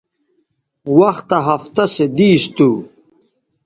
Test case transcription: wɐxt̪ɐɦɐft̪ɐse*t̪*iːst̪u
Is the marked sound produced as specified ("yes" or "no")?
no